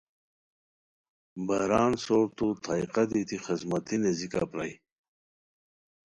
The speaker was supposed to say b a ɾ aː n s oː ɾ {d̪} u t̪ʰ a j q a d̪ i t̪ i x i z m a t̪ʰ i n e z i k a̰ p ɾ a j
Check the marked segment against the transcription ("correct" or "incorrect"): incorrect